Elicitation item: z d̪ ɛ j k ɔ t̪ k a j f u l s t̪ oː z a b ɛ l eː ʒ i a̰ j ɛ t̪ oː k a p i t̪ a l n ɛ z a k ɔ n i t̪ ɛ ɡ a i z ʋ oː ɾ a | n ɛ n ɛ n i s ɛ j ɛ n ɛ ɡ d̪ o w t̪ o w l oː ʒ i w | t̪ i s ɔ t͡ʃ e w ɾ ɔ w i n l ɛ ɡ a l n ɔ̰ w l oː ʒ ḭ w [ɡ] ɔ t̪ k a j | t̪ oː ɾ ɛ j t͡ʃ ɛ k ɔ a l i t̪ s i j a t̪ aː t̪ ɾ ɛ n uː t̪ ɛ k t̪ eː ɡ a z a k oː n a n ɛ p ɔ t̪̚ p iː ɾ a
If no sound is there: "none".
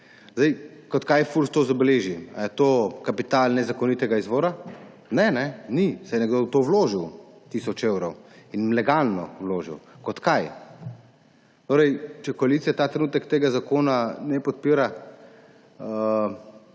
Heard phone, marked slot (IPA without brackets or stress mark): k